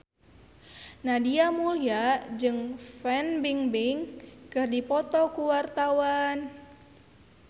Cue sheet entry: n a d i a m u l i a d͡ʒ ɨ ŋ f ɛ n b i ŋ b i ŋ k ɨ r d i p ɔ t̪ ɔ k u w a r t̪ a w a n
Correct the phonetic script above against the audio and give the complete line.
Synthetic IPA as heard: n a d i a m u l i a d͡ʒ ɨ ŋ f ɛ n b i ŋ b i ŋ k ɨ r d i p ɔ t̪ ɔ k u w a r t̪ a w a n